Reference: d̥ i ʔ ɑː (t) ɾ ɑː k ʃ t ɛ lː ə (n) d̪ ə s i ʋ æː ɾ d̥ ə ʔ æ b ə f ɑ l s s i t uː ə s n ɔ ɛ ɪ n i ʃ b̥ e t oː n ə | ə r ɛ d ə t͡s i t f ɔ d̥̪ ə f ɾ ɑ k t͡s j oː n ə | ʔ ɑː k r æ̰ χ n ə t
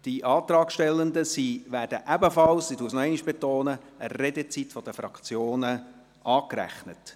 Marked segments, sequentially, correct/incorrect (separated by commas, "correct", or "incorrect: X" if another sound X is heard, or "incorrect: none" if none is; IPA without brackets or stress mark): correct, correct